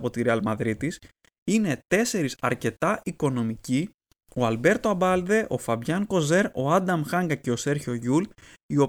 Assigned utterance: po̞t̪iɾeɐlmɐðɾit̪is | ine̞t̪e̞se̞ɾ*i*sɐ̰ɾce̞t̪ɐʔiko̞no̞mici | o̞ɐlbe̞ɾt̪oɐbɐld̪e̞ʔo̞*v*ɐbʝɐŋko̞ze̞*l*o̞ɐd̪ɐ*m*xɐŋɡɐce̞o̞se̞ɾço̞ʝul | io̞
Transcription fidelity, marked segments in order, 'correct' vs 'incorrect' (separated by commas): correct, incorrect, incorrect, correct